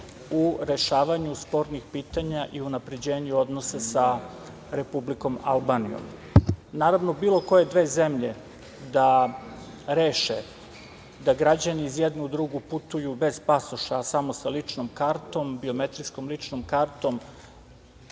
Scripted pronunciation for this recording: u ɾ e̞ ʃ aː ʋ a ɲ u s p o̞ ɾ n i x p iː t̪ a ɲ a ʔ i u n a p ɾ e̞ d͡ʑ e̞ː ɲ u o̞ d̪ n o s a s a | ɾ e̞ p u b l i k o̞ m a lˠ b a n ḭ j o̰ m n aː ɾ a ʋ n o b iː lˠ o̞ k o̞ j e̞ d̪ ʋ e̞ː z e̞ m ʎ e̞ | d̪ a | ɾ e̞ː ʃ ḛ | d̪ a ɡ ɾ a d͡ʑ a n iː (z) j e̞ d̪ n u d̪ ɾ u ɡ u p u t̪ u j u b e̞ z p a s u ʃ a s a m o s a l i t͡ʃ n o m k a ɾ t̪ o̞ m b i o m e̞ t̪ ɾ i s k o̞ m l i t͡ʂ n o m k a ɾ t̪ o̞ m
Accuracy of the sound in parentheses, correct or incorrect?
correct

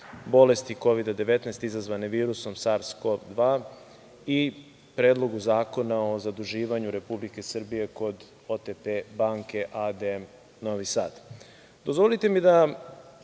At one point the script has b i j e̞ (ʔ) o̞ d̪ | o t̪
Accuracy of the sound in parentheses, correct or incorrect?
incorrect: k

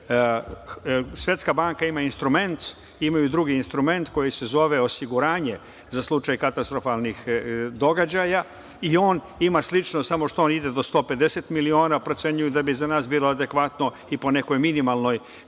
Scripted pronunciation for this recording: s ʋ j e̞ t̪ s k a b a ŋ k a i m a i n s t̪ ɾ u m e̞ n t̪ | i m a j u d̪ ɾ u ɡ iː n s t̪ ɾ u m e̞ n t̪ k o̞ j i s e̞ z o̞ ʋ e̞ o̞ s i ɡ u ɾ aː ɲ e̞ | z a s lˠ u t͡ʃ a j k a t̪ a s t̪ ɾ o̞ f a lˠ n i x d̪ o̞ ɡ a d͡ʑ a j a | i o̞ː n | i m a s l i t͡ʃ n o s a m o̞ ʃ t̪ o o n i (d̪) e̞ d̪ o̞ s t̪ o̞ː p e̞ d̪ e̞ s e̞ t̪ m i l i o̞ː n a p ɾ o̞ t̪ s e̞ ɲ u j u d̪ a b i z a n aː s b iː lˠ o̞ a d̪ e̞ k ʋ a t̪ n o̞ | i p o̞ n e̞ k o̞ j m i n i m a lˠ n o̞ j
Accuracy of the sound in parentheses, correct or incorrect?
correct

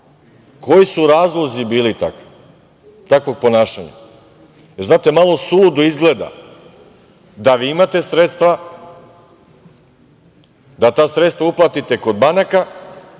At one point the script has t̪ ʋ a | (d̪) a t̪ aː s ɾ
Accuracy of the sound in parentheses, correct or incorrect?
correct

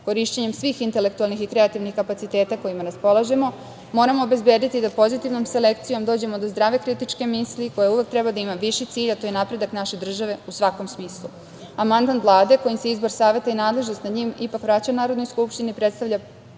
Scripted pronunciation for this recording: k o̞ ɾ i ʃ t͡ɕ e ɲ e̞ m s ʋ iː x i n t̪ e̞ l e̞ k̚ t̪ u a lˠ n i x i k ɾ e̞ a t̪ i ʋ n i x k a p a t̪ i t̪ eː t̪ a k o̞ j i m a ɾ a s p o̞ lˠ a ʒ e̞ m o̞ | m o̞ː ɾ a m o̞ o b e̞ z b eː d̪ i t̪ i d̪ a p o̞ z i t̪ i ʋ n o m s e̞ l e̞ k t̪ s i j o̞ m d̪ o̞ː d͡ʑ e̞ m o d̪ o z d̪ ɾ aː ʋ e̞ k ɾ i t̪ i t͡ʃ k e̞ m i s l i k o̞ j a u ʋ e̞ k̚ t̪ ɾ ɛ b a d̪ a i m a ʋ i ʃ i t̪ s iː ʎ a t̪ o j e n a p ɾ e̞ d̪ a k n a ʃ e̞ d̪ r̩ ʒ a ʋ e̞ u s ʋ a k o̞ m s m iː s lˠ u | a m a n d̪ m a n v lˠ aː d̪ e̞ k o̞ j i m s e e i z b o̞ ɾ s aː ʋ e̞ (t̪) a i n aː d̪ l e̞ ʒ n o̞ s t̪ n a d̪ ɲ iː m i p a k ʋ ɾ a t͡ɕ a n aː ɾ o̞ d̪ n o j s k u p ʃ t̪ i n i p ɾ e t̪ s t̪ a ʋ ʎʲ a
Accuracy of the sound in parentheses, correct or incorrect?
correct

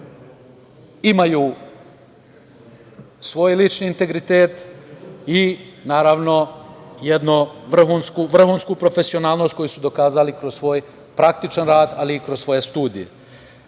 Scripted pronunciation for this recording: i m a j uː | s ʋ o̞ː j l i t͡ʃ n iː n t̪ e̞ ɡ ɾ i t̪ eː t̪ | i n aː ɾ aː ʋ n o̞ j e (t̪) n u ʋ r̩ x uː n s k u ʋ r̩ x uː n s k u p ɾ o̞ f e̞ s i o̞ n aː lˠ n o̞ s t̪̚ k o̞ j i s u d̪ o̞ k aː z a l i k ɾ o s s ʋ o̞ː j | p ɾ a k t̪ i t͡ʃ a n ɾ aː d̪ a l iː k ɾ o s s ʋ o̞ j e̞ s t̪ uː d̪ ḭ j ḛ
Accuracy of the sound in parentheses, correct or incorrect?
incorrect: d̪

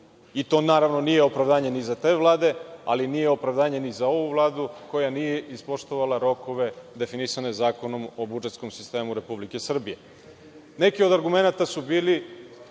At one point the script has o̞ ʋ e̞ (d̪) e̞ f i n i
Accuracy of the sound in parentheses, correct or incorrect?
correct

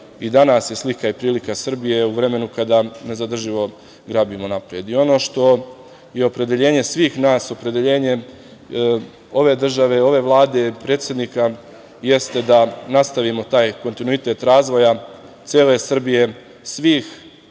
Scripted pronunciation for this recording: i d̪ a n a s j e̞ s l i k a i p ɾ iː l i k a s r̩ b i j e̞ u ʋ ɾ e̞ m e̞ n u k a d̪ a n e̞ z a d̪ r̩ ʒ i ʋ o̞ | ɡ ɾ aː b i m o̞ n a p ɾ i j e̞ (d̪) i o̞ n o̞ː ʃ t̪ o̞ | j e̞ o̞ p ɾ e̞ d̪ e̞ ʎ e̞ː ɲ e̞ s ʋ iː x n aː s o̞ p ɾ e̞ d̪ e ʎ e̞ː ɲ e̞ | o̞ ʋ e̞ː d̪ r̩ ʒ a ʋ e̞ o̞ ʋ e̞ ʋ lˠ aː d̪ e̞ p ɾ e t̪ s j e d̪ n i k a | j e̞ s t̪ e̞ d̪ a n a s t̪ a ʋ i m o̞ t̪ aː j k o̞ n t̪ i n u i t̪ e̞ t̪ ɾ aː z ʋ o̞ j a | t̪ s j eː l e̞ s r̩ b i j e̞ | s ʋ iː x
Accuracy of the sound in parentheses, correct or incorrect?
correct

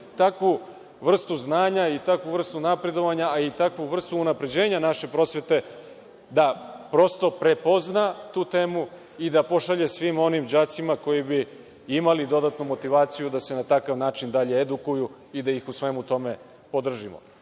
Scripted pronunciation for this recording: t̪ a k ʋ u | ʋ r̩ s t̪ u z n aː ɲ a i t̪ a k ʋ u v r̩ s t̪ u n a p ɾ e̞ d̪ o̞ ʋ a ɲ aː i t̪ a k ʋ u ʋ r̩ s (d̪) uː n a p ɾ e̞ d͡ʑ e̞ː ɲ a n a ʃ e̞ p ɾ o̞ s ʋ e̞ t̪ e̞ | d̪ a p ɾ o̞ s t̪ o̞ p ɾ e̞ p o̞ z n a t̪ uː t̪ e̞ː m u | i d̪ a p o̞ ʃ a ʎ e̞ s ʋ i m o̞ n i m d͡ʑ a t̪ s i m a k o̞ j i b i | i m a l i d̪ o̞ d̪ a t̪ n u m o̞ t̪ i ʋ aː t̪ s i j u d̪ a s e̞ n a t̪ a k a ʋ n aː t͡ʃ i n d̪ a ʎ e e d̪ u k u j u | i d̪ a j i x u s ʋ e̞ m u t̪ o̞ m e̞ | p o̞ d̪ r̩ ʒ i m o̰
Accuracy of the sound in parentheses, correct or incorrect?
incorrect: t̪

